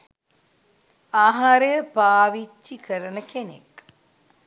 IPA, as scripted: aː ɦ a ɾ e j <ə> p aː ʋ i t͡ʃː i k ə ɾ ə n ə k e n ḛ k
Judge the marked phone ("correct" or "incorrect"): correct